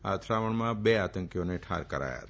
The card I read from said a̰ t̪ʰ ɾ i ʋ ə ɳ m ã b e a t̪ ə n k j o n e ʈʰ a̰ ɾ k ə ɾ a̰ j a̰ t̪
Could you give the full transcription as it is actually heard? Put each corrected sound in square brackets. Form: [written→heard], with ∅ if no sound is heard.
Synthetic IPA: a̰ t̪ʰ ɾ [i→a] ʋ ə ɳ m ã b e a t̪ ə [n→ŋ] k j o n e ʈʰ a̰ ɾ k ə ɾ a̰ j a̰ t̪